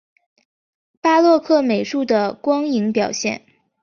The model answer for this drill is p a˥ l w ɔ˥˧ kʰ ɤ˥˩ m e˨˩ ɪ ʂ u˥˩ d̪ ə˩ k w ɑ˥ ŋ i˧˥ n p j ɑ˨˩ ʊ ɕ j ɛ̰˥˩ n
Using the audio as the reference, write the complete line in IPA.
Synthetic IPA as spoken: p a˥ l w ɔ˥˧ kʰ ɤ˥˩ m e˨˩ ɪ ʂ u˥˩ d̪ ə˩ k w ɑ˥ ŋ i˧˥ ŋ p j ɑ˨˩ ʊ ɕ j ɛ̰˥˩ n